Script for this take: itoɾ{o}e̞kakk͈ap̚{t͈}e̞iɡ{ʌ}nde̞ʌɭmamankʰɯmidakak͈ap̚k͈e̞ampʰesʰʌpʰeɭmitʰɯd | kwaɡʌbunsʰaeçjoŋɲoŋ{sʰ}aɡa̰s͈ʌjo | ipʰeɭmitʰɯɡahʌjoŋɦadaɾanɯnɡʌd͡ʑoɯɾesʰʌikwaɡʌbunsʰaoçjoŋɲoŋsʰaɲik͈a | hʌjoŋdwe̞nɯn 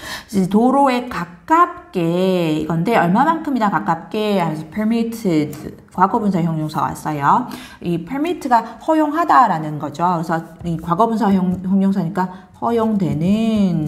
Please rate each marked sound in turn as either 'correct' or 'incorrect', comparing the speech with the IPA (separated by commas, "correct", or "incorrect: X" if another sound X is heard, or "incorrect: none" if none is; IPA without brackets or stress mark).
correct, incorrect: k͈, correct, correct